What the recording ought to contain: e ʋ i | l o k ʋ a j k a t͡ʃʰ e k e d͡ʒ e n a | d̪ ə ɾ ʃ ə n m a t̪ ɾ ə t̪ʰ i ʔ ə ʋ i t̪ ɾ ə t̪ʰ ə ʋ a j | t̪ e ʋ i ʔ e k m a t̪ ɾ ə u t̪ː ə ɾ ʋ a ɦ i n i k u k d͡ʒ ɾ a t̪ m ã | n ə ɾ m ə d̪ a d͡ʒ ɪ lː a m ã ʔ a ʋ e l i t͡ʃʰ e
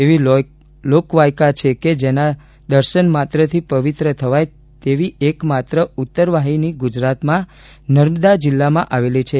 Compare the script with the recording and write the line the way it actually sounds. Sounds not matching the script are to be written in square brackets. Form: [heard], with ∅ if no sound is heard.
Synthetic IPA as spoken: e ʋ i | l o k ʋ a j k a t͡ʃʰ e k e d͡ʒ e n a | d̪ ə ɾ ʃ ə n m a t̪ ɾ ə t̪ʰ i [p] ə ʋ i t̪ ɾ ə t̪ʰ ə ʋ a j | t̪ e ʋ i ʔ e k m a t̪ ɾ ə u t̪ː ə ɾ ʋ a ɦ i n i [ɡ] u [∅] d͡ʒ ɾ a t̪ m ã | n ə ɾ m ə d̪ a d͡ʒ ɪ lː a m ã ʔ a ʋ e l i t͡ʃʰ e